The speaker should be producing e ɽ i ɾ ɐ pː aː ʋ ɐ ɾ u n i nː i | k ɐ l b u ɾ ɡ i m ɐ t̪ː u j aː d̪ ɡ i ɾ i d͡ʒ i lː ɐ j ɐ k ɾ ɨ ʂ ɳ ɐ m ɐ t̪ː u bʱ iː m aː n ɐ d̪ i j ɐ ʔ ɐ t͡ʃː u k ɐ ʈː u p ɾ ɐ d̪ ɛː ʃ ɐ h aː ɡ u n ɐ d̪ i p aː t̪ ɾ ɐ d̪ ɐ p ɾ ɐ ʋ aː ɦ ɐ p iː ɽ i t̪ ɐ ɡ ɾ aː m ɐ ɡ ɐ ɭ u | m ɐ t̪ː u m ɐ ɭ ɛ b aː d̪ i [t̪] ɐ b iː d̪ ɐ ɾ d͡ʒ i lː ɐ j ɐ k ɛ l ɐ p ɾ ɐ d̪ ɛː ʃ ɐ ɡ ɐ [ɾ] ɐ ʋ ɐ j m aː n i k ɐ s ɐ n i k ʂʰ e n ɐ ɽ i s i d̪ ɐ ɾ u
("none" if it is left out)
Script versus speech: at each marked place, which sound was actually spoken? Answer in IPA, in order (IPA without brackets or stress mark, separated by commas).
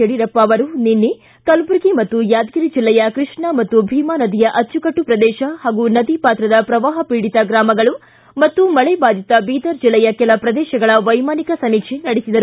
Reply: t̪, ɭ